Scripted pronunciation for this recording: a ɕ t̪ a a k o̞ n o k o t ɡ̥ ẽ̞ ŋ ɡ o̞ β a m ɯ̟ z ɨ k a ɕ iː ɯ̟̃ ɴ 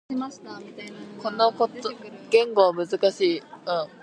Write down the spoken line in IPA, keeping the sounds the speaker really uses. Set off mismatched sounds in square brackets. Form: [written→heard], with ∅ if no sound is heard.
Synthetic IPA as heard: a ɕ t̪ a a k o̞ n o k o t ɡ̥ ẽ̞ ŋ ɡ o̞ β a m ɯ̟ z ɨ k a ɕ iː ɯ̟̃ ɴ